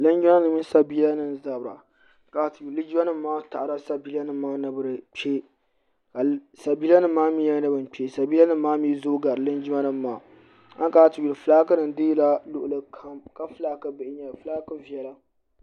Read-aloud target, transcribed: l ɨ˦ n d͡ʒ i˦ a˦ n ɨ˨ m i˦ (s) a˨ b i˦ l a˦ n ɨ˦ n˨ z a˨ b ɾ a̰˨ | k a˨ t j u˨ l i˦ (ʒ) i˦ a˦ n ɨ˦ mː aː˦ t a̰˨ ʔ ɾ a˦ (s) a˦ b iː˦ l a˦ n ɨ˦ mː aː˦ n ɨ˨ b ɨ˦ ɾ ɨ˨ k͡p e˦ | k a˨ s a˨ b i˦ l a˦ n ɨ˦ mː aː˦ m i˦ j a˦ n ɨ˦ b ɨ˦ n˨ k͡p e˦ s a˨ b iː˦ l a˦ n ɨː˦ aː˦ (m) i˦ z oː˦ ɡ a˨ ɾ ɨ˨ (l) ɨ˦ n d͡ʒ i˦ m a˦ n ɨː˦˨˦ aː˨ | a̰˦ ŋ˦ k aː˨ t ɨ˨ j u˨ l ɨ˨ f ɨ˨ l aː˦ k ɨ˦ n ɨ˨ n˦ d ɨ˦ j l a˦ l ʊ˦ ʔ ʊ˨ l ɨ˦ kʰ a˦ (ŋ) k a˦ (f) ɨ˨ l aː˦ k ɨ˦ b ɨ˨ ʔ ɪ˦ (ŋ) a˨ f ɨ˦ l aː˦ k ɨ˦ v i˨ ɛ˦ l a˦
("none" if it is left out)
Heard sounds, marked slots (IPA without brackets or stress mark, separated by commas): s, d͡ʒ, s, m, l, m, f, ɲ